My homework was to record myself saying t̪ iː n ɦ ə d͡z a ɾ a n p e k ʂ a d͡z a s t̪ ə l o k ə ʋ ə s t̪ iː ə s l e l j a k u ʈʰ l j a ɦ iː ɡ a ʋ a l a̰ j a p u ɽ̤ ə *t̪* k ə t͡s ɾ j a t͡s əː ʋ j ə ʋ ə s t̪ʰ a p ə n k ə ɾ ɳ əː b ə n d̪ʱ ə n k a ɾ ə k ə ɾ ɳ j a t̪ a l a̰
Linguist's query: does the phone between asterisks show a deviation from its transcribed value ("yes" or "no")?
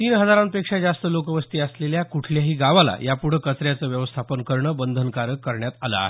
yes